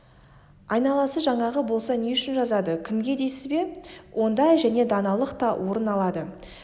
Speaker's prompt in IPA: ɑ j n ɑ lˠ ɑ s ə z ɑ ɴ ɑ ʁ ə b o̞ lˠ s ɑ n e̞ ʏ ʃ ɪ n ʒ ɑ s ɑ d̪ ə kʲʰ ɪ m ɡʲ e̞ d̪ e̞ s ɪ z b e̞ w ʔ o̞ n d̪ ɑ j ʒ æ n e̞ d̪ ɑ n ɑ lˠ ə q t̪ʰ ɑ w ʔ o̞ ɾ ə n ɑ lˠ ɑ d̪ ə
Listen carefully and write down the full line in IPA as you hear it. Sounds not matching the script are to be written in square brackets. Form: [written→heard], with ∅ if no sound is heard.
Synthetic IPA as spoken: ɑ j n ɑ lˠ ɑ s ə [z→ʒ] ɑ ɴ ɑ ʁ ə b o̞ lˠ s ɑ n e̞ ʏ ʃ ɪ n ʒ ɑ [s→z] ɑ d̪ ə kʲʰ ɪ m ɡʲ e̞ d̪ e̞ s ɪ z b e̞ w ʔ o̞ n d̪ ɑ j ʒ æ n e̞ d̪ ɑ n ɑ lˠ ə q [t̪ʰ→t̪] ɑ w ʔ o̞ ɾ ə n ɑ lˠ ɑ d̪ ə